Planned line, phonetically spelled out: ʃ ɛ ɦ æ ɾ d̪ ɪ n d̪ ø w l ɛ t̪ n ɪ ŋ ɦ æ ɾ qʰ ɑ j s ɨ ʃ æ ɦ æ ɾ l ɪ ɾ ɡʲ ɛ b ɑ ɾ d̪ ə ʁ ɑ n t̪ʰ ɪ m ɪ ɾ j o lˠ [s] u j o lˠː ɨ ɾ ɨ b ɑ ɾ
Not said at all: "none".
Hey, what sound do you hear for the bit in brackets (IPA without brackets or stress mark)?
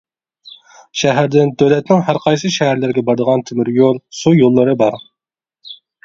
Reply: s